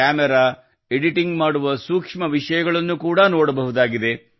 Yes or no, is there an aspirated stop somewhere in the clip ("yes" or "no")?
no